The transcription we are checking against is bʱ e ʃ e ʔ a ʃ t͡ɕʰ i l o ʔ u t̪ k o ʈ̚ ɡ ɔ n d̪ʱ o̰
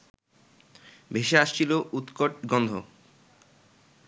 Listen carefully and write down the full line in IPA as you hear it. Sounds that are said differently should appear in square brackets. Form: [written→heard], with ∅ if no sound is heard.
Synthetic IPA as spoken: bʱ e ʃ e [ʔ→∅] a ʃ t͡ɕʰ i l o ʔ u t̪ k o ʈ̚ ɡ ɔ n d̪ʱ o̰